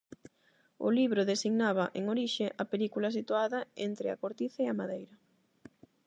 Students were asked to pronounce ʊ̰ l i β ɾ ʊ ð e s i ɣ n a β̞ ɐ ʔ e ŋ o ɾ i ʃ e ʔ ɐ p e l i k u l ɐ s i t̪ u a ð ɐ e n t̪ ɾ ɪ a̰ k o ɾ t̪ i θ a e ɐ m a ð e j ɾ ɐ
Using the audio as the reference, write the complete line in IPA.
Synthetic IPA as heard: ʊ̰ l i β ɾ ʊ ð e s i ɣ n a β̞ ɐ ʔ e ŋ o ɾ i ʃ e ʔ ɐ p e l i k u l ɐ s i t̪ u a ð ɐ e n t̪ ɾ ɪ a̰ k o ɾ t̪ i θ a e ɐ m a ð e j ɾ ɐ